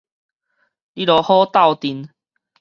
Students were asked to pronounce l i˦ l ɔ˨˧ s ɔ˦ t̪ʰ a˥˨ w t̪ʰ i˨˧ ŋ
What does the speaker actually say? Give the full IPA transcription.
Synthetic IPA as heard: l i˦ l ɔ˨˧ h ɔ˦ t̪ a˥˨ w t̪ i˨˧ n